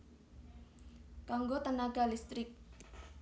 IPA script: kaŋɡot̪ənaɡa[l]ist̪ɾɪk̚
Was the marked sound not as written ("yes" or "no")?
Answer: no